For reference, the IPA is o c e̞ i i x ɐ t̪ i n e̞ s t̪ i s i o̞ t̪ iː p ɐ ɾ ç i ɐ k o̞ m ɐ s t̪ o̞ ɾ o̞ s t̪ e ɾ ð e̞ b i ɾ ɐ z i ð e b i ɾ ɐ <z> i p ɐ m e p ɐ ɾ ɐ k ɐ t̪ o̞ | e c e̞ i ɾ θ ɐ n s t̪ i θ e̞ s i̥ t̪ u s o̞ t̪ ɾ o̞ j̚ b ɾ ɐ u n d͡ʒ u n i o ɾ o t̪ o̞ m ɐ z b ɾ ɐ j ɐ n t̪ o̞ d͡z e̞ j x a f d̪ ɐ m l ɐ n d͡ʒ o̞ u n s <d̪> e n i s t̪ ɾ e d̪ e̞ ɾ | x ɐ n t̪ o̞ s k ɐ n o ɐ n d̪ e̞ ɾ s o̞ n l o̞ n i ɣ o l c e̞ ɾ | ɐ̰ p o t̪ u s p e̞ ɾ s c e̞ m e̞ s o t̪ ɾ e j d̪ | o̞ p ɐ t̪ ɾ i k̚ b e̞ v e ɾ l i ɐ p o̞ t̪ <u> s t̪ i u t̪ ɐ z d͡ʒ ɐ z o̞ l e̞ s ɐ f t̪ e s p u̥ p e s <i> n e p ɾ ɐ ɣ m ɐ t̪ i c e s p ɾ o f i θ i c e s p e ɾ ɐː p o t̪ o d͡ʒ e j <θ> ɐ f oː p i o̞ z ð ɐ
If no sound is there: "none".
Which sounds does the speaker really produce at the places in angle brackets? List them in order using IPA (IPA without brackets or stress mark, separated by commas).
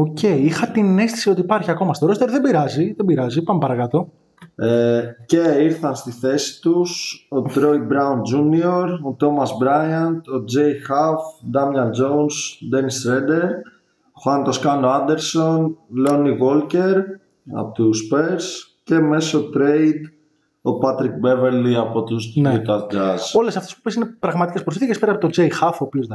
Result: z, d̪, u, i, x